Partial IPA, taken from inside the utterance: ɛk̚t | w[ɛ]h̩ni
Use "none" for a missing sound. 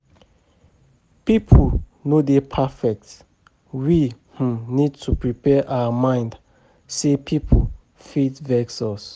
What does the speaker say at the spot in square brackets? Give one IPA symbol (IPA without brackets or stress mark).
i